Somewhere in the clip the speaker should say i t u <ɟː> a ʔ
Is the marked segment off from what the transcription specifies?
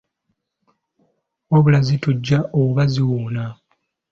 no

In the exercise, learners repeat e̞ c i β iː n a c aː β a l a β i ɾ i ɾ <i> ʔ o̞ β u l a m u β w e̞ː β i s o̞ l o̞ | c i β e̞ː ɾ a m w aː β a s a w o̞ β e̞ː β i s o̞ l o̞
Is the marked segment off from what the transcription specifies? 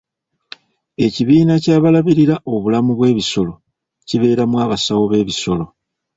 yes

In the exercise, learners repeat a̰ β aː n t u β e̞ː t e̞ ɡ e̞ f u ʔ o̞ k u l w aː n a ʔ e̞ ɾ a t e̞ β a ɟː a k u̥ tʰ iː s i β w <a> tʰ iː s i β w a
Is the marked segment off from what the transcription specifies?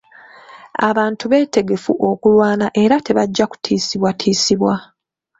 no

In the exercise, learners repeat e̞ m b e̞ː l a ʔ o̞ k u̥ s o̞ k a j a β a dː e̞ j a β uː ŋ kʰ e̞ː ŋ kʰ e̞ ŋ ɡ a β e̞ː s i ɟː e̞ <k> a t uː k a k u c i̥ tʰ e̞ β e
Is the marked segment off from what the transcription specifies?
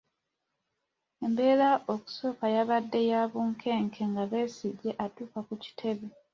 yes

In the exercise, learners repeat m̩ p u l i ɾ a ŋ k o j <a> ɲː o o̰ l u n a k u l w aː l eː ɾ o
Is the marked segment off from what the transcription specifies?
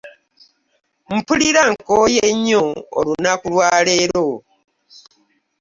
yes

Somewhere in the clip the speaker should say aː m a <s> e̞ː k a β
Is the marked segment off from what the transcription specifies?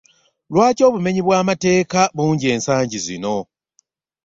yes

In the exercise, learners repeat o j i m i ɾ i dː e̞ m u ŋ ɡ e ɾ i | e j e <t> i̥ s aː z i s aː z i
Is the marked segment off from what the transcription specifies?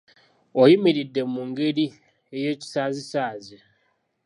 yes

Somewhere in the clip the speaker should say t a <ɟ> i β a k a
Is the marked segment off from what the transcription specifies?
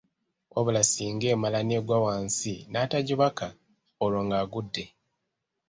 no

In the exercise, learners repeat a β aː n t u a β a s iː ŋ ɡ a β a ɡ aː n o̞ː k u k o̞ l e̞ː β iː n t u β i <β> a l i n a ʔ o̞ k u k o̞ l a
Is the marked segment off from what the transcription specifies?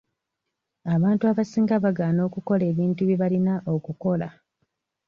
no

